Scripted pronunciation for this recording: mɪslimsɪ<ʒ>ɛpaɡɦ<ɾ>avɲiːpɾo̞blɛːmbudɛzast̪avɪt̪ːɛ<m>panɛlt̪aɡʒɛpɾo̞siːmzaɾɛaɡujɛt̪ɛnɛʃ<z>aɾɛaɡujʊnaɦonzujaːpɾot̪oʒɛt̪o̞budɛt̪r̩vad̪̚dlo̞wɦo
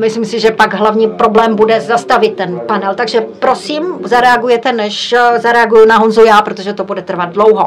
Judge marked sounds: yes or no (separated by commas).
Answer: yes, no, no, yes